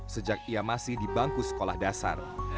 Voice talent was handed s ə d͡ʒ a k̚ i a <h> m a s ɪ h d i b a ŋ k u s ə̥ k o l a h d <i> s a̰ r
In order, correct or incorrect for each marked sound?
incorrect: none, incorrect: a

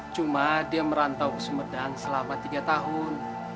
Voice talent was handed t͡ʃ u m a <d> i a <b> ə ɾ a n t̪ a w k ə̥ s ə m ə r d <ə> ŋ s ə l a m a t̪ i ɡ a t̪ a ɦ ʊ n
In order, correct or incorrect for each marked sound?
correct, incorrect: m, incorrect: a

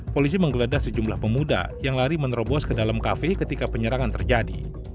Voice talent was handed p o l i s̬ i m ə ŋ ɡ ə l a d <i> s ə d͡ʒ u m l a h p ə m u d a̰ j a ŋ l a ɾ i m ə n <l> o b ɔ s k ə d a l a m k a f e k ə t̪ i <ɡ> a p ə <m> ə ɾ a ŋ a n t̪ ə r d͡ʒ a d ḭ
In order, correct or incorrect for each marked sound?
incorrect: a, incorrect: ɾ, incorrect: k, incorrect: ɲ

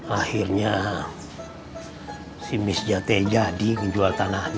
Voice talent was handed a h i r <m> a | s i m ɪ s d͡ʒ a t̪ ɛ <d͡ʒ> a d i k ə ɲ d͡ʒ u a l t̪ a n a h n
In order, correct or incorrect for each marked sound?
incorrect: ɲ, correct

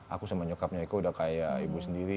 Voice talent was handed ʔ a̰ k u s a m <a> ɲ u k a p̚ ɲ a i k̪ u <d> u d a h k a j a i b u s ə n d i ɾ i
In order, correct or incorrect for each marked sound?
correct, incorrect: none

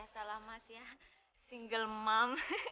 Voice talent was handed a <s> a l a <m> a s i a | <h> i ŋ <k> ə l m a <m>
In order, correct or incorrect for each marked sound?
correct, correct, incorrect: s, incorrect: ɡ, correct

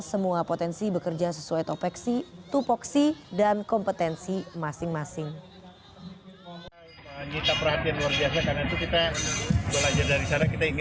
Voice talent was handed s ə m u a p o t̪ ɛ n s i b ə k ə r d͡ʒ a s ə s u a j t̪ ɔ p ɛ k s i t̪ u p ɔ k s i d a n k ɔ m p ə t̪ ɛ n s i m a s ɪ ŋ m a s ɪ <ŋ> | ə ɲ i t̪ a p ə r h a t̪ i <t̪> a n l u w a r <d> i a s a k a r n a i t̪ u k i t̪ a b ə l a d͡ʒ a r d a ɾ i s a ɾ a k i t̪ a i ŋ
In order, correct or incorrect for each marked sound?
correct, incorrect: none, incorrect: b

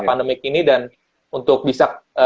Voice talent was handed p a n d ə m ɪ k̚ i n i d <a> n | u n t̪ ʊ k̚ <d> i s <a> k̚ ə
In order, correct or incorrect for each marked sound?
correct, incorrect: b, correct

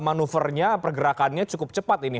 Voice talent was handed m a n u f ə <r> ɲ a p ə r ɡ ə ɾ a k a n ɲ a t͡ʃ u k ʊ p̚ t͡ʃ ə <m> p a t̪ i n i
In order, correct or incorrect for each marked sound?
correct, incorrect: none

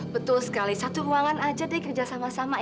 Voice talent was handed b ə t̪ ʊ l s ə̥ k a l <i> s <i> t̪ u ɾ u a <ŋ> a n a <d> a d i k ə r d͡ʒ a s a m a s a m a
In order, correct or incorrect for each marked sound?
correct, incorrect: a, correct, incorrect: d͡ʒ

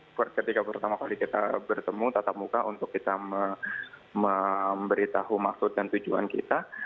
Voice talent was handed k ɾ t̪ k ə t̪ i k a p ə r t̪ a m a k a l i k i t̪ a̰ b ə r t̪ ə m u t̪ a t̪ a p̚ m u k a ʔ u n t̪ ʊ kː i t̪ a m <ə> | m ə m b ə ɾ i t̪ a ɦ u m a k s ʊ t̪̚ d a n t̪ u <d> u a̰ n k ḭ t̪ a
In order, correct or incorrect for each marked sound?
correct, incorrect: d͡ʒ

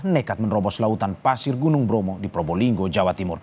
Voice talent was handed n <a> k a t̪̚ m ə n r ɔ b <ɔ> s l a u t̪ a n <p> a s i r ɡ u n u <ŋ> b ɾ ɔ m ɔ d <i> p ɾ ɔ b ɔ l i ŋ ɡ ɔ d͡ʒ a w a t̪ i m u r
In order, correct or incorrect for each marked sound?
incorrect: ɛ, correct, correct, correct, correct

